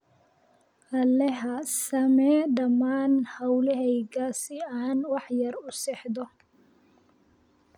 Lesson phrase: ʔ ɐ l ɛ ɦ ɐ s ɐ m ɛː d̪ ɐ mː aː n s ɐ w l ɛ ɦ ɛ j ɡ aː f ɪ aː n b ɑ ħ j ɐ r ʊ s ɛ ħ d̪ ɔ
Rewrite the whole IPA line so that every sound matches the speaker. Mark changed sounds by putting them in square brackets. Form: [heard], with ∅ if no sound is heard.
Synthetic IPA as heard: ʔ ɐ l ɛ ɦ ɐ s ɐ m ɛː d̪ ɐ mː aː n [h] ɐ w l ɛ ɦ ɛ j ɡ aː [s] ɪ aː n [w] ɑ ħ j ɐ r ʊ s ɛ ħ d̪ ɔ